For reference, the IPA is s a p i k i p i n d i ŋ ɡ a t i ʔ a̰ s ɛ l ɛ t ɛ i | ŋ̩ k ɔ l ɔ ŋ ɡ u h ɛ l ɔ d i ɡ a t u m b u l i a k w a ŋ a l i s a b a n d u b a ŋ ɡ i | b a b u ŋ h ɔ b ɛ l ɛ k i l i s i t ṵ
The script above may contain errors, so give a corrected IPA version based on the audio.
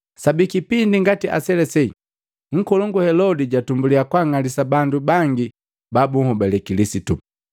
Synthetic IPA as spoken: s a b i k i p i n d i ŋ ɡ a t i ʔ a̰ s ɛ l ɛ s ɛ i | ŋ̩ k ɔ l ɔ ŋ ɡ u h ɛ l ɔ d i ɟ a t u m b u l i a k w a ŋ a l i s a b a n d u b a ŋ ɡ i | b a b u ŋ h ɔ b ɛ l ɛ k i l i s i t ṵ